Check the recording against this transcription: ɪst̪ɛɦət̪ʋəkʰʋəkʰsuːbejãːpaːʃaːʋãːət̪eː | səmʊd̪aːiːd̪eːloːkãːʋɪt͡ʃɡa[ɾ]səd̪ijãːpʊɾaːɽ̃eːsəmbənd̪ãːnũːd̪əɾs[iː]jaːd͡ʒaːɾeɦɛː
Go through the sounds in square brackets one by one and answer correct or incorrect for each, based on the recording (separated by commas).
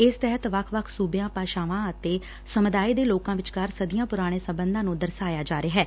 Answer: correct, incorrect